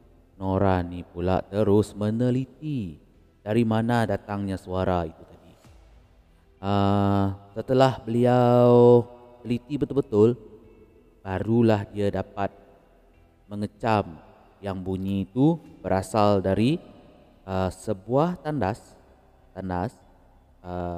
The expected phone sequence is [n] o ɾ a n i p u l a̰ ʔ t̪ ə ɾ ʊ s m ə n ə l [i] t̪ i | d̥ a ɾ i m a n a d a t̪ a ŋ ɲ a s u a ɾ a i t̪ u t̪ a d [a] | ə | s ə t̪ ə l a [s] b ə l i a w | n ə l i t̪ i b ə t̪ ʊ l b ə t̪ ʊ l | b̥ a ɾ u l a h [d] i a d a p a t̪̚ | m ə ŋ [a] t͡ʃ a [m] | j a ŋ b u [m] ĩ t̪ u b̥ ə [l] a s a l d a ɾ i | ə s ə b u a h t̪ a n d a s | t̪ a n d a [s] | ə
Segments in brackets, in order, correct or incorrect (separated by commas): correct, correct, incorrect, incorrect, correct, incorrect, correct, incorrect, incorrect, correct